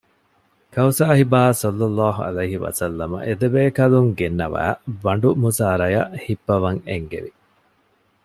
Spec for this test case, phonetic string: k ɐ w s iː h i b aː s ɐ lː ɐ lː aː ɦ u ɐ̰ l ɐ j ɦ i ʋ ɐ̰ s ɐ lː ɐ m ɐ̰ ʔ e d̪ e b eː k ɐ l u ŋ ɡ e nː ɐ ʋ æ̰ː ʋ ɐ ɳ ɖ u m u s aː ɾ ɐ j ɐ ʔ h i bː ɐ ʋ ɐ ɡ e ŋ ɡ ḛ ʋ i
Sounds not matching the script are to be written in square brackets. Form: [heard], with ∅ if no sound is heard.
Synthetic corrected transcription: k ɐ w s [aː] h i b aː s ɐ lː ɐ lː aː ɦ u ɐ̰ l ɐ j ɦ i ʋ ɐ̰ s ɐ lː ɐ m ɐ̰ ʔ e d̪ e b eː k ɐ l u ŋ ɡ e nː ɐ ʋ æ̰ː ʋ ɐ ɳ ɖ u m u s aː ɾ ɐ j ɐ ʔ h i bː ɐ ʋ ɐ [ŋ] e ŋ ɡ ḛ ʋ i